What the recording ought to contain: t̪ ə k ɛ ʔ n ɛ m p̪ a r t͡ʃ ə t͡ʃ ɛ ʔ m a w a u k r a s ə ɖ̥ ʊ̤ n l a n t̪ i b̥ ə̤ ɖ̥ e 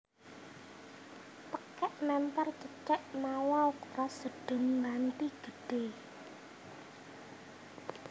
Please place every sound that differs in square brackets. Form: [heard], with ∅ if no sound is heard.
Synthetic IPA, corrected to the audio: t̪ ə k ɛ ʔ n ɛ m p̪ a r t͡ʃ ə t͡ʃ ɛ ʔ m a w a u k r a s ə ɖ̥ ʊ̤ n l a n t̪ i [ɡ̥] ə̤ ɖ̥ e